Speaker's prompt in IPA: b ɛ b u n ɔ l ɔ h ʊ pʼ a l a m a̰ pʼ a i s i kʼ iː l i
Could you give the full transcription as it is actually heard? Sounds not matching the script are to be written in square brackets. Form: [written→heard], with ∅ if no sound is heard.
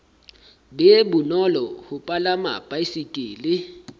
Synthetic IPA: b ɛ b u n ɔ l ɔ h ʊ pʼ a l a m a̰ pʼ a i s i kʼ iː l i